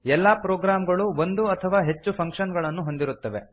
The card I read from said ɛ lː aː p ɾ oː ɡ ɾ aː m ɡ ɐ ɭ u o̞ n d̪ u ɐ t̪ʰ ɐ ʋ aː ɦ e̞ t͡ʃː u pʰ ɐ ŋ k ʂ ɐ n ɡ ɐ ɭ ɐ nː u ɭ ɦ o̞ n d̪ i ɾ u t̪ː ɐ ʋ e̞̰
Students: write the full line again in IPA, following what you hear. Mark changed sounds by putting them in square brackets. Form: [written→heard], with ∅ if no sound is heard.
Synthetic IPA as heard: ɛ lː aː p ɾ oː ɡ ɾ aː m ɡ ɐ ɭ u o̞ n d̪ u ɐ t̪ʰ ɐ ʋ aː ɦ e̞ t͡ʃː u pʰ ɐ ŋ k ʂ ɐ n ɡ ɐ ɭ ɐ nː u [ɭ→∅] ɦ o̞ n d̪ i ɾ u t̪ː ɐ ʋ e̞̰